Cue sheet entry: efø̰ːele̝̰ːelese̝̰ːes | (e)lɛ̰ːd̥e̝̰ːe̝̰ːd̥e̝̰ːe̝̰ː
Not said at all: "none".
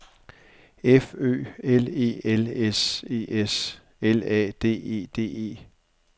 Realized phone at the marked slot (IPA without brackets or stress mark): e